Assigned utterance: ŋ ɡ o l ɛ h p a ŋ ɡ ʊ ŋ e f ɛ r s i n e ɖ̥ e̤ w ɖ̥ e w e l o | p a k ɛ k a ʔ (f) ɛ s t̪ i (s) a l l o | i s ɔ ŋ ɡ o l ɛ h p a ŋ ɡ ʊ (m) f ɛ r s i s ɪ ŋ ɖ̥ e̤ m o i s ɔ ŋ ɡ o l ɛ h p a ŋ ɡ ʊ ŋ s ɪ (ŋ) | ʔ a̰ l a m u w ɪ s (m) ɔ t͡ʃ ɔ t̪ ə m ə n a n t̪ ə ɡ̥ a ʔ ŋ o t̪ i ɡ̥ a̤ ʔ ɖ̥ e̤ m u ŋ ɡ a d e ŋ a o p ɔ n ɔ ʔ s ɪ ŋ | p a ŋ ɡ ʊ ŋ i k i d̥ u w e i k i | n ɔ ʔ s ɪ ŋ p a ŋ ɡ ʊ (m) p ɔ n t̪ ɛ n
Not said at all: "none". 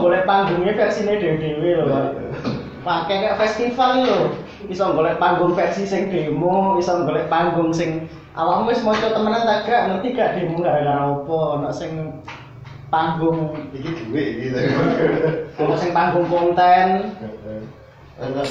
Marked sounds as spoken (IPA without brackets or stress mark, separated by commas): f, f, ŋ, ŋ, m, ŋ